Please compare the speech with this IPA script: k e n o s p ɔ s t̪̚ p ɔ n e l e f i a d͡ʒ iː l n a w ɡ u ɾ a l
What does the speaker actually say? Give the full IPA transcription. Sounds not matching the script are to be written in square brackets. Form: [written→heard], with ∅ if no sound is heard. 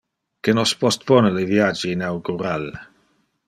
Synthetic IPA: k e n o s p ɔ s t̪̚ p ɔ n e l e [f→v] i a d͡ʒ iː [l→∅] n a w ɡ u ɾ a l